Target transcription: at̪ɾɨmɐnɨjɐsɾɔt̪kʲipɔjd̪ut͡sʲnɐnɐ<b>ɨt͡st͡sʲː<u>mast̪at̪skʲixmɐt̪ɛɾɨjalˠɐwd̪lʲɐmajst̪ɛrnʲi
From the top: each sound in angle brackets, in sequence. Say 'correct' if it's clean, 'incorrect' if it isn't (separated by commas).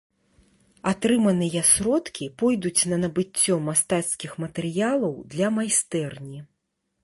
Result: correct, incorrect